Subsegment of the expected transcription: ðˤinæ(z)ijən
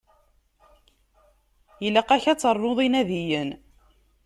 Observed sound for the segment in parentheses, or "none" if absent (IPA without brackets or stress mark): ð